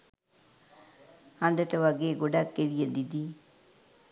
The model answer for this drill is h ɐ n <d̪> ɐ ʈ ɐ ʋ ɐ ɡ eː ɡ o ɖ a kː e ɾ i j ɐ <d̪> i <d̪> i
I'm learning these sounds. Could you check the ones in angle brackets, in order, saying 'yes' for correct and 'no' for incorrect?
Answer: yes, yes, yes

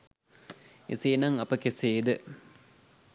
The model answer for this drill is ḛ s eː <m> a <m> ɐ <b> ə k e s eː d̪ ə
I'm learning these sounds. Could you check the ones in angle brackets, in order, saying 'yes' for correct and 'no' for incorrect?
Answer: no, no, no

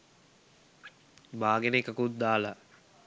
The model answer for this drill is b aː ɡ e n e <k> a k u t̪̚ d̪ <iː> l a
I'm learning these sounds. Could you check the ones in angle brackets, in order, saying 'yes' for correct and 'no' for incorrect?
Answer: yes, no

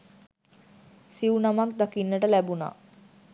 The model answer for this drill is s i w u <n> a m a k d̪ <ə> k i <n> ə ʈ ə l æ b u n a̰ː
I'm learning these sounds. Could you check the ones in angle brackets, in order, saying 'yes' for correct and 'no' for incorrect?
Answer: yes, no, no

